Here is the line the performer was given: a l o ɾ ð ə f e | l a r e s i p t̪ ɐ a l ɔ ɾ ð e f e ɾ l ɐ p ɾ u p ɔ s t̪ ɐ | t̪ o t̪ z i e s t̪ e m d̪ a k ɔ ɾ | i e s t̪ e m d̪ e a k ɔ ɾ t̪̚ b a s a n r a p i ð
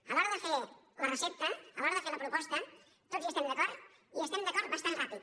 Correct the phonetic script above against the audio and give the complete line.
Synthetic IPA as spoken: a l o ɾ ð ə f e | l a r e s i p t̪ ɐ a l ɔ ɾ ð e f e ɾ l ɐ p ɾ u p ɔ s t̪ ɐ | t̪ o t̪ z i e s t̪ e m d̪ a k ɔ ɾ | i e s t̪ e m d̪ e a k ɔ ɾ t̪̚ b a s a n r a p i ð